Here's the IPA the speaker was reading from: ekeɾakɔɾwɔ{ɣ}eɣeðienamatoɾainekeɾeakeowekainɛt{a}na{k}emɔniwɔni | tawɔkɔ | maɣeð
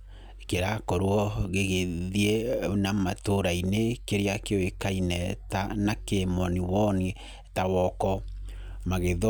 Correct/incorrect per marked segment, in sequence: correct, correct, correct

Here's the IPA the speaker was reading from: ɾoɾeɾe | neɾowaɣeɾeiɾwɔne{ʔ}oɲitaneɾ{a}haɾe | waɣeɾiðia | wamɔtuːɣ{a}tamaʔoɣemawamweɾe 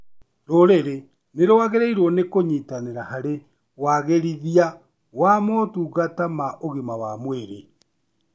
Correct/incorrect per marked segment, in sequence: incorrect, correct, correct

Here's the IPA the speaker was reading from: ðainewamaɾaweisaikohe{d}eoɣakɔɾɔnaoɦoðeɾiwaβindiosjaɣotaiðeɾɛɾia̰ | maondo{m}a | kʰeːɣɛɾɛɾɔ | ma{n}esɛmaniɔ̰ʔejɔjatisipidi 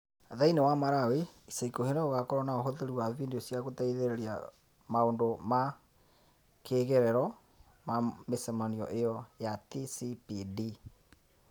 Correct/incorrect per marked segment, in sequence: incorrect, correct, incorrect

